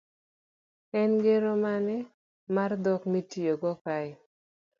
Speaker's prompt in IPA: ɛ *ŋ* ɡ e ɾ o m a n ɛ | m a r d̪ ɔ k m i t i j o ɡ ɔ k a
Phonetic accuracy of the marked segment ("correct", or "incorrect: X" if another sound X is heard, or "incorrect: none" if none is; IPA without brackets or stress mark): incorrect: n